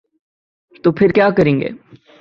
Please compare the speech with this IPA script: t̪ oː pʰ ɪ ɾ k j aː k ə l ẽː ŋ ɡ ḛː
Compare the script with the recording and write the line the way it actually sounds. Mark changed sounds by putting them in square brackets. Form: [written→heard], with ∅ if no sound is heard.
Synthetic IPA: t̪ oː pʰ ɪ ɾ k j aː k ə [l→ɾ] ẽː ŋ ɡ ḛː